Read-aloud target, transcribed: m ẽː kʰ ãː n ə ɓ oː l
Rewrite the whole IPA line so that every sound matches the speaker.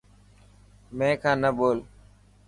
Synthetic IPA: m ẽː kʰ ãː n ə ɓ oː l